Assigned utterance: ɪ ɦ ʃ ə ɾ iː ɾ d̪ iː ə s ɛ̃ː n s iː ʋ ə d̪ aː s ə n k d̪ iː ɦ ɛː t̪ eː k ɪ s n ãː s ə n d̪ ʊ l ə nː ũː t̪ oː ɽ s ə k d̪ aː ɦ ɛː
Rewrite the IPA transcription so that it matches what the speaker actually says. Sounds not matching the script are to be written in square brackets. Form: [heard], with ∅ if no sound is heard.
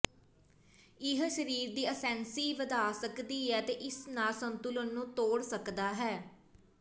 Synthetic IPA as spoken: ɪ ɦ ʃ ə ɾ iː ɾ d̪ iː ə s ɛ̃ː n s iː ʋ ə d̪ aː s ə [∅] k d̪ iː ɦ ɛː t̪ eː [ʔ] ɪ s n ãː s ə n [t̪] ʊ l ə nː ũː t̪ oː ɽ s ə k d̪ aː ɦ ɛː